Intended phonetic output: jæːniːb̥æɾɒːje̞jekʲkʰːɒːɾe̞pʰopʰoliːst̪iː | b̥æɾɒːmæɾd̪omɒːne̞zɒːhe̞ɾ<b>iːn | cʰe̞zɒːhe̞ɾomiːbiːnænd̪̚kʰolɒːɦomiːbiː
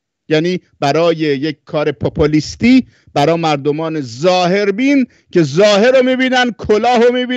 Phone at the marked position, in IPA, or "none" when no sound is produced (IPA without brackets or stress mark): b